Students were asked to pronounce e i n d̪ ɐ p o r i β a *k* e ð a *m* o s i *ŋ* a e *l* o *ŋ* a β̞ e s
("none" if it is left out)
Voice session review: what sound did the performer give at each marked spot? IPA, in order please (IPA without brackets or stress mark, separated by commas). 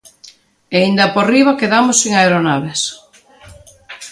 k, m, ŋ, ɾ, n